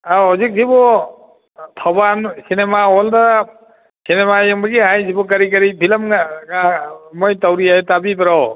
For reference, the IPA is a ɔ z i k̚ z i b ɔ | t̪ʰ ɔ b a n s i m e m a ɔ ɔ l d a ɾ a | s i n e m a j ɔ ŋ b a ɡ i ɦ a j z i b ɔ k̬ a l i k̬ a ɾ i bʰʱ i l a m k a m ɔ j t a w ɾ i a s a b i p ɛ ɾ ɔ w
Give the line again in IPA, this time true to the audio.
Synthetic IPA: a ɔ z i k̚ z i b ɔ | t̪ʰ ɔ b a n s i n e m a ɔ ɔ l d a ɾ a | s i n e m a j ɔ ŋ b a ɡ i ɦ a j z i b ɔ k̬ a ɾ i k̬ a ɾ i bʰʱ i l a m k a m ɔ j t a w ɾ i a t a b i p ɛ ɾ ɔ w